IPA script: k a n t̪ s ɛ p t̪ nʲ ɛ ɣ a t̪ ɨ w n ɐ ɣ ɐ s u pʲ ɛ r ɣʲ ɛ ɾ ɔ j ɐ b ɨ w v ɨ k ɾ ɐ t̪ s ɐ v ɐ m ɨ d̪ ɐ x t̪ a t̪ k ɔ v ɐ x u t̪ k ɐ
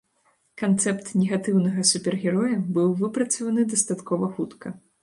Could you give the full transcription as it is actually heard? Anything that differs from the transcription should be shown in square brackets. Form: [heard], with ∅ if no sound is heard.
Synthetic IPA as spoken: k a n t̪ s ɛ p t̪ nʲ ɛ ɣ a t̪ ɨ w n ɐ ɣ ɐ s u pʲ ɛ r ɣʲ ɛ ɾ ɔ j ɐ b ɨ w v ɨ [p] ɾ ɐ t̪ s ɐ v ɐ [n] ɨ d̪ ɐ [s] t̪ a t̪ k ɔ v ɐ x u t̪ k ɐ